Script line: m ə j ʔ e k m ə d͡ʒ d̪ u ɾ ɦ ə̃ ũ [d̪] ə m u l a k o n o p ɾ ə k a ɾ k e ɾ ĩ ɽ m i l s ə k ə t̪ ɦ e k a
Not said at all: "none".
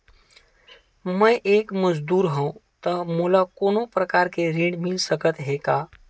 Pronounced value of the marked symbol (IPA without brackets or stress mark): t̪